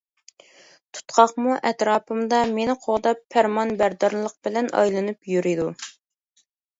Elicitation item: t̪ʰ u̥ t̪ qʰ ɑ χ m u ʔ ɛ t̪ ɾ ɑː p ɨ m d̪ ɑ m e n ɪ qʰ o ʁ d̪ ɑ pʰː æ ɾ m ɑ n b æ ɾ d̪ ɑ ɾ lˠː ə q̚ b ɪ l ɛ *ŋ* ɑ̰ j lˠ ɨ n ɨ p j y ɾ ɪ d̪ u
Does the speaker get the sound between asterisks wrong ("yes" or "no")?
yes